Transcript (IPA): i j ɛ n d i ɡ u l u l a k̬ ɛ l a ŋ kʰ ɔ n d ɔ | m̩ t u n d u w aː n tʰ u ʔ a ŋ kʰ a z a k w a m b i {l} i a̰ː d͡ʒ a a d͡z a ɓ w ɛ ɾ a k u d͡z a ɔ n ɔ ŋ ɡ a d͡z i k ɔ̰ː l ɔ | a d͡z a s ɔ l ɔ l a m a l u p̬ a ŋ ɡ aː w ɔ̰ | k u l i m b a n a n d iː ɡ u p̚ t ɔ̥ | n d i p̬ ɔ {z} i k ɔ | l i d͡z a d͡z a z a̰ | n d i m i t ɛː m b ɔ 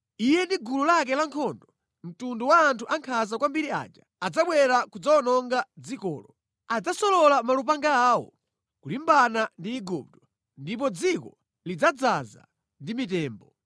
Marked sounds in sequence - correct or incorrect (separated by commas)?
incorrect, incorrect